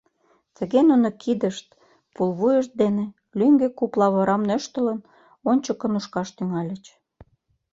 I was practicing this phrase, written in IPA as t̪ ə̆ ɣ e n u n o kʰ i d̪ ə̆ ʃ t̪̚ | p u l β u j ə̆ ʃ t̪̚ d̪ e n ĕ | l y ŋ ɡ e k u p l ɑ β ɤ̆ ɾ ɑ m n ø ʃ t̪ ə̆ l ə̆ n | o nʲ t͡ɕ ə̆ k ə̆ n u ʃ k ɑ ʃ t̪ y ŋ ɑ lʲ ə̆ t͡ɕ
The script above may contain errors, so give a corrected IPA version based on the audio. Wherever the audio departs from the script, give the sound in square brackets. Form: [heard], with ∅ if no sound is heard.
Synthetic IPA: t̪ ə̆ ɣ e n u n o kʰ i d̪ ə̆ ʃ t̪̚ | p u l β u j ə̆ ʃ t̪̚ d̪ e n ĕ | l y ŋ ɡ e k u p l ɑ β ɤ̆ ɾ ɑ m n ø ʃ t̪ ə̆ l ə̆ n | o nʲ t͡ɕ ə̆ k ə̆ n u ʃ k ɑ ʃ t̪ y ŋ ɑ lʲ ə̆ t͡ɕ